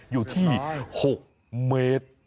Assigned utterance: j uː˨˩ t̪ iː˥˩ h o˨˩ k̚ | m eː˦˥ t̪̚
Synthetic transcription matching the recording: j uː˨˩ t̪ʰ iː˥˩ h o˨˩ k̚ | m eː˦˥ t̪̚